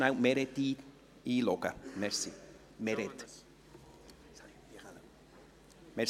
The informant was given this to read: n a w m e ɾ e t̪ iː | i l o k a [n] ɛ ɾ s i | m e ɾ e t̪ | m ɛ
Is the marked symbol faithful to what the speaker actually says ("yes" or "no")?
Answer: no